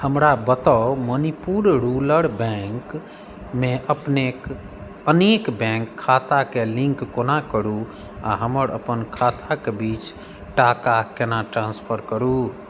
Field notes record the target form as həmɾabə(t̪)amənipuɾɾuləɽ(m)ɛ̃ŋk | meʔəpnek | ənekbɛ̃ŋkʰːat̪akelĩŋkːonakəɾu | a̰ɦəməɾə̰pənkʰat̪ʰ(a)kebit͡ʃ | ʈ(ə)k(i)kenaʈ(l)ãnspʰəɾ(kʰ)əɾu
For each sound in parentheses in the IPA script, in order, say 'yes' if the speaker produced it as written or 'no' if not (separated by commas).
yes, no, yes, no, no, no, no